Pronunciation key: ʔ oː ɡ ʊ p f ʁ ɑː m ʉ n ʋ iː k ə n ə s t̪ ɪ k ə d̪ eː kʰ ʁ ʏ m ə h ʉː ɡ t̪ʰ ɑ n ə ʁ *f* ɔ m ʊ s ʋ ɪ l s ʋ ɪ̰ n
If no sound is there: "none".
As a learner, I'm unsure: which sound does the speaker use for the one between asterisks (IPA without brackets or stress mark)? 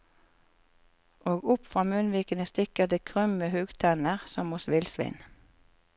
s